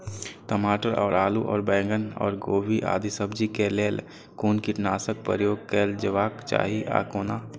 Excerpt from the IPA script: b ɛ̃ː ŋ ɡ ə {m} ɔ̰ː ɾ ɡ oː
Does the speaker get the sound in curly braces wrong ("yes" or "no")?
yes